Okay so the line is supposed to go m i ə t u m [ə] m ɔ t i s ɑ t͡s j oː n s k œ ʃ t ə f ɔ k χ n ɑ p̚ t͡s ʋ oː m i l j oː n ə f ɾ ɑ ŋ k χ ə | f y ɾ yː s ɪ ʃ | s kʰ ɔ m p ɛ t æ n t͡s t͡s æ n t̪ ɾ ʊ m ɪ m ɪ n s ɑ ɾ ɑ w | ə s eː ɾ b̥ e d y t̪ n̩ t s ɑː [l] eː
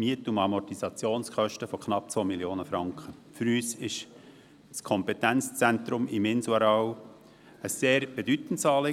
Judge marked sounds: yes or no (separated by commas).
no, yes